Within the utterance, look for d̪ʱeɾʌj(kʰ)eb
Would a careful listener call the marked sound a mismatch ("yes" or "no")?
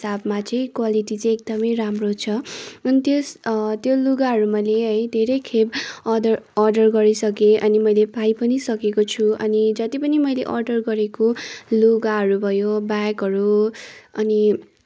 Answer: no